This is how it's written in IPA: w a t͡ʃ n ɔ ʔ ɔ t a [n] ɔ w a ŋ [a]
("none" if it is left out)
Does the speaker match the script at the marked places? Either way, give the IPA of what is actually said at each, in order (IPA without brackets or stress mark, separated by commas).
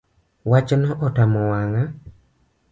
m, a